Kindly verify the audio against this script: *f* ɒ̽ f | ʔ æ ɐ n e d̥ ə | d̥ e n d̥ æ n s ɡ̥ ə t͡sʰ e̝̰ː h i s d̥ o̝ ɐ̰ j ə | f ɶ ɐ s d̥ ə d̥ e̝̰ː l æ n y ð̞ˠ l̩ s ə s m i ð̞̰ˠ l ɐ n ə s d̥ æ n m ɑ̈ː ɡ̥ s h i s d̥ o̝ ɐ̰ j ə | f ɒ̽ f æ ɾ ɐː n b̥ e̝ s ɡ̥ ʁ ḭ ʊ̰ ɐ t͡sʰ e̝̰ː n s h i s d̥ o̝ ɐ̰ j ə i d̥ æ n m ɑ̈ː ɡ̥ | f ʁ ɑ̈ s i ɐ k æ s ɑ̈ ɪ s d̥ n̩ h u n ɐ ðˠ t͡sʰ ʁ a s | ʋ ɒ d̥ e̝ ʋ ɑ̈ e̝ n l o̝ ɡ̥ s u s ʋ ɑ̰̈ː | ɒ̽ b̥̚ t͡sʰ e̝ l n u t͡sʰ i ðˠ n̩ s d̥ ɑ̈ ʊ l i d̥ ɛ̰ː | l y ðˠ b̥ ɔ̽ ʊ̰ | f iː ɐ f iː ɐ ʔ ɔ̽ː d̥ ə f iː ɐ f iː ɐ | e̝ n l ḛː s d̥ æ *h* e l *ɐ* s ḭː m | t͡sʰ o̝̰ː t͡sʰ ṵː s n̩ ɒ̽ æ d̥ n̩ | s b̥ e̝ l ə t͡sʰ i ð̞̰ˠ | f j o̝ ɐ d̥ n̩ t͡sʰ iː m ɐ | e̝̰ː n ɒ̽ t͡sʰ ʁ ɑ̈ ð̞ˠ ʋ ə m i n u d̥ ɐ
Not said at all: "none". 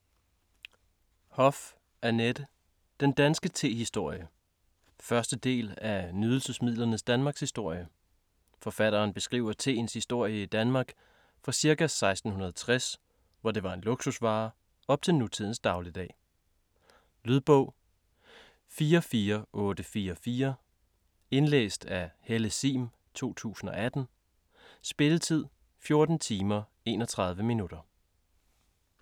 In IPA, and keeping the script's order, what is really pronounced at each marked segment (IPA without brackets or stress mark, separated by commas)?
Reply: h, h, ə